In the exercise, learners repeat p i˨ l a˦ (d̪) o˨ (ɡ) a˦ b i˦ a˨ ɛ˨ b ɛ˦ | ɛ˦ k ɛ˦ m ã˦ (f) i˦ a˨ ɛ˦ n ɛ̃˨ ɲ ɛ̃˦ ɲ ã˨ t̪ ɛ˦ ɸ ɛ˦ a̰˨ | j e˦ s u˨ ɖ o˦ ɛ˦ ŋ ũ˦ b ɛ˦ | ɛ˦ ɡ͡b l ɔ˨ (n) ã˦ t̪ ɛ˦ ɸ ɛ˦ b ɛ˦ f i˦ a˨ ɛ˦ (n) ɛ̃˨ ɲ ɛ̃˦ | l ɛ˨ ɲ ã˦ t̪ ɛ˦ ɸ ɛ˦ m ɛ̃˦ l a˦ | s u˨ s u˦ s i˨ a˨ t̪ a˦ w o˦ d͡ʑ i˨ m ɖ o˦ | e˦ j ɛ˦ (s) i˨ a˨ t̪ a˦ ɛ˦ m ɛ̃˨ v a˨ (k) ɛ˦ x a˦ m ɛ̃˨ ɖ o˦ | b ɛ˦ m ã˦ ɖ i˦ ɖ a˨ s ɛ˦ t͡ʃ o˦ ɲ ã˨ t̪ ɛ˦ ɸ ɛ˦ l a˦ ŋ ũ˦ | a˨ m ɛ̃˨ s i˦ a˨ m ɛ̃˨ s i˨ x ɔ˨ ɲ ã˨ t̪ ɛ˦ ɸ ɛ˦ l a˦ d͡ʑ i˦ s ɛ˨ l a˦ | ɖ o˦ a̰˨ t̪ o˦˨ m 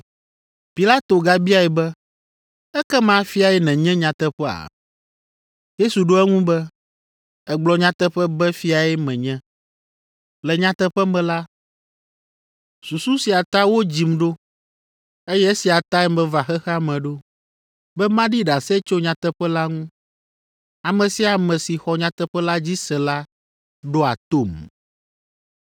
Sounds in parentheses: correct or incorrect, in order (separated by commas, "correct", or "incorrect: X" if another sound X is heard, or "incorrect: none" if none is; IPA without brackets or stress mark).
incorrect: t̪, correct, correct, incorrect: ɲ, incorrect: m, correct, incorrect: x